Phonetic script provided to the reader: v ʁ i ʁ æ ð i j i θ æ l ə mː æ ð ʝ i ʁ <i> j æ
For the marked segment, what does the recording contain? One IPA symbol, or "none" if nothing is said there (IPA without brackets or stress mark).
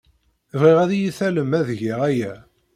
æ